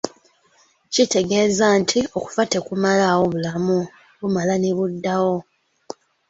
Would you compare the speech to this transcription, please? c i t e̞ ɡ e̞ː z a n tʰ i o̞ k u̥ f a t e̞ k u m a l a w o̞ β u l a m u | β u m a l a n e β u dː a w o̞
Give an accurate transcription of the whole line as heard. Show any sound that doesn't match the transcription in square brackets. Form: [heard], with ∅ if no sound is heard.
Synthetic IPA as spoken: c i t e̞ ɡ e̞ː z a n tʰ i o̞ k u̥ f a t e̞ k u m a l a w o̞ β u l a m u | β u m a l a n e β u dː a w o̞